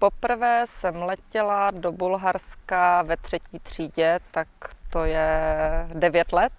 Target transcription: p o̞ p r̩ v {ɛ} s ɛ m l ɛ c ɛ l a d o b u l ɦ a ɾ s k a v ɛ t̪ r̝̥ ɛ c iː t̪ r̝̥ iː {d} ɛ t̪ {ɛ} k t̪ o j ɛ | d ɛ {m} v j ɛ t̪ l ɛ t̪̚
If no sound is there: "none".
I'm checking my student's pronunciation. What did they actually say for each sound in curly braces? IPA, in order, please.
ɛː, ɟ, a, none

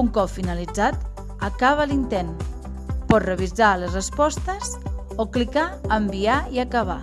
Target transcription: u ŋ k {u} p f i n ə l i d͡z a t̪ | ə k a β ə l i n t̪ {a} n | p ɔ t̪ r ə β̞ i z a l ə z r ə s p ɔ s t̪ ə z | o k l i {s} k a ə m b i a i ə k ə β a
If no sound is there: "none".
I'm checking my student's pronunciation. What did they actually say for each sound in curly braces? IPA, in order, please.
ɔ, e, none

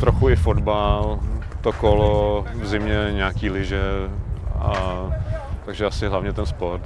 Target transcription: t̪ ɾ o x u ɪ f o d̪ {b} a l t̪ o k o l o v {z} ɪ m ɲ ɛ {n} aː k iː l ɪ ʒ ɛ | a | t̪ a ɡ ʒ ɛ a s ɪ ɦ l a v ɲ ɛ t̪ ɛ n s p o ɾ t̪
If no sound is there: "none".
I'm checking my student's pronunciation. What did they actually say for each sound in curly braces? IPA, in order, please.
b, z, ɲ

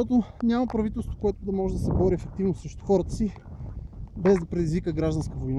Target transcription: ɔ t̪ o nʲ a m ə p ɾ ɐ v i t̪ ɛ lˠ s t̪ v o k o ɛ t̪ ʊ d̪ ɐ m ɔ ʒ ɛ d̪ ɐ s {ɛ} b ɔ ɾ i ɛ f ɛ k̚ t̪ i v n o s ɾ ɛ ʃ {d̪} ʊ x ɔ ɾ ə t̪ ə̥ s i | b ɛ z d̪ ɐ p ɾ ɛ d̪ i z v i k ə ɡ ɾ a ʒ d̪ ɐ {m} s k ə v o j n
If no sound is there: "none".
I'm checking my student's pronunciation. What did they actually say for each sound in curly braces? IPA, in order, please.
ɛ, t̪, n

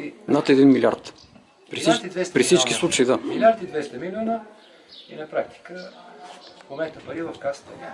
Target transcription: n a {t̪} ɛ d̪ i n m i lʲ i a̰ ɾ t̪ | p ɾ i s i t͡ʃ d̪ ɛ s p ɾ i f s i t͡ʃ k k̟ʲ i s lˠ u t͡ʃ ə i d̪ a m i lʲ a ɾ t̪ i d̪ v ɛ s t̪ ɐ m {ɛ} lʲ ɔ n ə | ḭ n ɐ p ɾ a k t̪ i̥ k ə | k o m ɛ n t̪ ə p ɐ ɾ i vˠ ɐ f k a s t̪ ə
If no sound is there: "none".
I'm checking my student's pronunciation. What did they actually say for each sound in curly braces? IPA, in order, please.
t̪, i

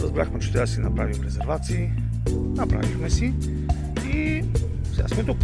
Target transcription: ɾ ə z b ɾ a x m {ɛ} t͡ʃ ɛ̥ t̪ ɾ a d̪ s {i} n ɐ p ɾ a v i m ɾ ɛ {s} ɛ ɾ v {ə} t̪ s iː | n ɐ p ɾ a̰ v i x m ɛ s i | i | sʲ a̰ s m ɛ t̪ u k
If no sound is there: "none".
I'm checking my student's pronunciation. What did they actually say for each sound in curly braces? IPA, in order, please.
ɛ, i, z, a

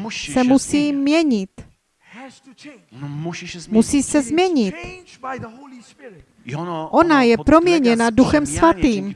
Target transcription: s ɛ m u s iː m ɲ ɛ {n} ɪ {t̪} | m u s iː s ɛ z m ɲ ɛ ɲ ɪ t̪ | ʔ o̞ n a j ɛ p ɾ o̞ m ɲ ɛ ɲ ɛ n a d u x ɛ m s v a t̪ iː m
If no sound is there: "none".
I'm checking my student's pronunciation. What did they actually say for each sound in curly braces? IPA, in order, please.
ɲ, t̪

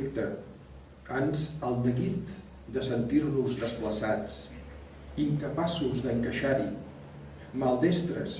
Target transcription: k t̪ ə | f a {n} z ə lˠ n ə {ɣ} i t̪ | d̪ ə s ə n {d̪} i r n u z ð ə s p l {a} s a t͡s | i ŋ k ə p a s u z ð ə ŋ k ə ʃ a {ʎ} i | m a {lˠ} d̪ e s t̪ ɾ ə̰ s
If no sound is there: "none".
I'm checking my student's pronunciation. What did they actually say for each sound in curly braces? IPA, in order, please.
n, ɣ, t̪, ə, ɾ, lˠ

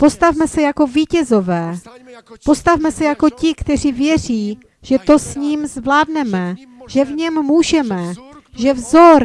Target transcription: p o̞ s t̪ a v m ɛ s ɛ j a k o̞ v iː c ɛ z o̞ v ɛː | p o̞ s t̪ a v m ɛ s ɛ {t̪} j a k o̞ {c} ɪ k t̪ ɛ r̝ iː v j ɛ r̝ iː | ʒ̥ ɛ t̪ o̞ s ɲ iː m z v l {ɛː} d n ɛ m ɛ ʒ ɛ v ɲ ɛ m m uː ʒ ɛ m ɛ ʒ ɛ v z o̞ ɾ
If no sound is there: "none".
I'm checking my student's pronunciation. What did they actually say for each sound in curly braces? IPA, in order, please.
none, c, aː

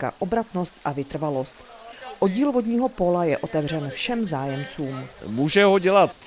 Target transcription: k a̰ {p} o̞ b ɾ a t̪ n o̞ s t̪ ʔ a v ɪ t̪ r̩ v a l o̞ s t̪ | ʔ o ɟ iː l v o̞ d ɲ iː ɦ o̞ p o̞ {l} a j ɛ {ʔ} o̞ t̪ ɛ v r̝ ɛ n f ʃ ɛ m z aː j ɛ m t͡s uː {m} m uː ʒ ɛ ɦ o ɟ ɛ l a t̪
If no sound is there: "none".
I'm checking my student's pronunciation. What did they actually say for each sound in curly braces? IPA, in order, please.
ʔ, l, ʔ, m

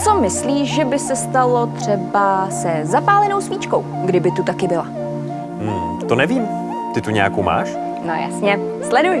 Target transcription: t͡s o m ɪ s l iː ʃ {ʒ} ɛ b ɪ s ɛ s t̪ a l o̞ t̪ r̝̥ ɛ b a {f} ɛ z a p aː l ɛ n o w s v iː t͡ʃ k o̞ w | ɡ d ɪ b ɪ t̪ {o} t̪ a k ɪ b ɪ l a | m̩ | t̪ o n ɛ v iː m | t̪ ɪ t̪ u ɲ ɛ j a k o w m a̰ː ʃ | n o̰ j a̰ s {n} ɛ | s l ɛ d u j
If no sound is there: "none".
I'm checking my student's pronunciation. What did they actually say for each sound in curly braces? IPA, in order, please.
ʒ, s, u, ɲ

